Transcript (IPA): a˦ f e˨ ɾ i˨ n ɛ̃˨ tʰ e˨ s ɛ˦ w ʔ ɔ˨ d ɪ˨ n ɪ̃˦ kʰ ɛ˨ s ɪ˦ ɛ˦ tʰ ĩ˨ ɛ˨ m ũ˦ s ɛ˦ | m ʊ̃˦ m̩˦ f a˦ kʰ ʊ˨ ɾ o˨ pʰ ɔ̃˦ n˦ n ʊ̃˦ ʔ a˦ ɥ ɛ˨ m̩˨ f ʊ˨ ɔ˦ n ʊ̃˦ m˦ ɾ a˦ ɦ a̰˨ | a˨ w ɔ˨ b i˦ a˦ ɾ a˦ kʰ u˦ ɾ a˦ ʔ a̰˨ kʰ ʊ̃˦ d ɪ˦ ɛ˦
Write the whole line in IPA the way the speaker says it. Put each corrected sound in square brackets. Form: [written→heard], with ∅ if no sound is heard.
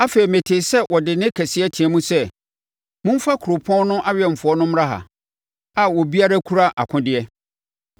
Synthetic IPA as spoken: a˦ f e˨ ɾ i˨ [n→m] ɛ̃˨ tʰ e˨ s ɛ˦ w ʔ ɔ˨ d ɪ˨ n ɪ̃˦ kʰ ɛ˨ s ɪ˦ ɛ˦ tʰ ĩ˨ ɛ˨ m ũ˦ s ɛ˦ | m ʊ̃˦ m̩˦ f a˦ kʰ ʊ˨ ɾ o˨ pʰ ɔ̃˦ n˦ n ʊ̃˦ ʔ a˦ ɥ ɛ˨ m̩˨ f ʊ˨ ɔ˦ n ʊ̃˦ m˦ ɾ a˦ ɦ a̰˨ | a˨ w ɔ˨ b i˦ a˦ ɾ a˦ kʰ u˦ ɾ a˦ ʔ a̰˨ kʰ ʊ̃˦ d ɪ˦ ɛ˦

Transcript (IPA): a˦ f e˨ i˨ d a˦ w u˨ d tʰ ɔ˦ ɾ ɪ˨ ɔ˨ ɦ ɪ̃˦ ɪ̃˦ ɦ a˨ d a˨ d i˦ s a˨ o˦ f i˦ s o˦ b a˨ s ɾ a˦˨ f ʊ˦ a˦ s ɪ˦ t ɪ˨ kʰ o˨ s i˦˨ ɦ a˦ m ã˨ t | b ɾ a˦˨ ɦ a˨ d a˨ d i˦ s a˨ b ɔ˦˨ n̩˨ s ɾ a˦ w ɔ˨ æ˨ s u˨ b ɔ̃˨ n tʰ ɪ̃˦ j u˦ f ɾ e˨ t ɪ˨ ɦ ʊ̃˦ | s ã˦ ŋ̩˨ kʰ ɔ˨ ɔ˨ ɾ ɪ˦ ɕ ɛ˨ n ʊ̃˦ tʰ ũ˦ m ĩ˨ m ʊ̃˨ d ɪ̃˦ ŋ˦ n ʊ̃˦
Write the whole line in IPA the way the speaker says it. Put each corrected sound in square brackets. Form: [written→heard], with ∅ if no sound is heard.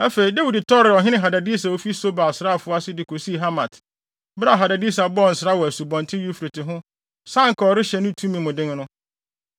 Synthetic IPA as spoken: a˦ f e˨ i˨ d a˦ w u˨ d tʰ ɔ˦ ɾ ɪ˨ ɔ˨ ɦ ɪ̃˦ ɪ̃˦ ɦ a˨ d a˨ d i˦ s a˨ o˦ f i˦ s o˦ b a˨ s ɾ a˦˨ f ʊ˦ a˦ s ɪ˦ [t→d] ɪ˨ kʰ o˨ s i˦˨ ɦ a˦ m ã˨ t | b ɾ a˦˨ ɦ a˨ d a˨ d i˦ s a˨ b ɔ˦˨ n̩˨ s ɾ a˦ w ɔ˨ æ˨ s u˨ b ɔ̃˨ n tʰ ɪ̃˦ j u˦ f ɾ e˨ t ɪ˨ ɦ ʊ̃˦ | s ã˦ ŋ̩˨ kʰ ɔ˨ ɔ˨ ɾ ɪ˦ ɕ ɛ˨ n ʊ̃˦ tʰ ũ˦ m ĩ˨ m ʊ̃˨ d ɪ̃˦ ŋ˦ n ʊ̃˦

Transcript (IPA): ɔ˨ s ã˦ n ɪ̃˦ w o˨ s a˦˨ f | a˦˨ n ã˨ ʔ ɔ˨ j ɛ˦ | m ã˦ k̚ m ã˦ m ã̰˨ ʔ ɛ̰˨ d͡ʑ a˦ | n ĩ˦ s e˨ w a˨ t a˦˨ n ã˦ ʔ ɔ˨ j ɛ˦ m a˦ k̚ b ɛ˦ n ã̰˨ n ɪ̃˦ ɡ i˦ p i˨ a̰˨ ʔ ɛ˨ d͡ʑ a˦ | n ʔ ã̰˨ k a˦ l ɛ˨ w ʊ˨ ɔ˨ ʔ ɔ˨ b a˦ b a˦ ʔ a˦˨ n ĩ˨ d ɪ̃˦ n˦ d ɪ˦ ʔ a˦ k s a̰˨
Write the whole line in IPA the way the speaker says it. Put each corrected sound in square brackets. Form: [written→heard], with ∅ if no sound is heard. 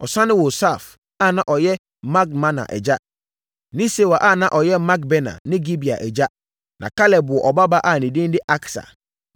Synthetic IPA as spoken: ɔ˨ s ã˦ n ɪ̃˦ w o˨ s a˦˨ f | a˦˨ n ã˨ ʔ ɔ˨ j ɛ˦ | m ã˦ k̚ m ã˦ [m→n] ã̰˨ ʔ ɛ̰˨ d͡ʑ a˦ | n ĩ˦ s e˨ w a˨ [t→ʔ] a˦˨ n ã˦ ʔ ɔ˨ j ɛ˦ m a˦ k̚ b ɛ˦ n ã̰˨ n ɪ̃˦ ɡ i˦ [p→b] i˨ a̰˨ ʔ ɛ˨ d͡ʑ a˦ | n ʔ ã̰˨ k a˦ l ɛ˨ [w→b] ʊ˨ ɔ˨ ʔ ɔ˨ b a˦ b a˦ ʔ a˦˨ n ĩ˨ d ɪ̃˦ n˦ d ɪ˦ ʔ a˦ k s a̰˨

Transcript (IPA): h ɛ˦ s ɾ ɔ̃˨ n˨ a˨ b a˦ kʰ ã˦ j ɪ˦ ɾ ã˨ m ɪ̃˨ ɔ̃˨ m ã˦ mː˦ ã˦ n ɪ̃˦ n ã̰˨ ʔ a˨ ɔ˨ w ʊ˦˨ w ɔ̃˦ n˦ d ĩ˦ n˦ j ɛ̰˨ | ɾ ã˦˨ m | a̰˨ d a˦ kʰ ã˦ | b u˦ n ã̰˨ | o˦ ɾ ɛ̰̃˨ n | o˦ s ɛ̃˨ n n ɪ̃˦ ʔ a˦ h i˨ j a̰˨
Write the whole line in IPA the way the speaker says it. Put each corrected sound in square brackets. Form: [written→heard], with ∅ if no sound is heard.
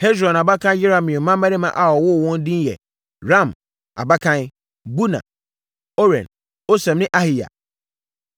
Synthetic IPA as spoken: h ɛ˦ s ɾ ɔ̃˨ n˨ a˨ b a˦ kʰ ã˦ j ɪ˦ ɾ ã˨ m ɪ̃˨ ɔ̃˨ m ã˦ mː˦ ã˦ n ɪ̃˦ [n→m] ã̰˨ ʔ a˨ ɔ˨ w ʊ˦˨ w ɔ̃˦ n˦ d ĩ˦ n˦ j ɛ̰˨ | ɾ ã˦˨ m | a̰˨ [d→b] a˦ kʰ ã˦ | b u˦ n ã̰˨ | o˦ ɾ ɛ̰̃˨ n | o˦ s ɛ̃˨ [n→m] n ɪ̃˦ ʔ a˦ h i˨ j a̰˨

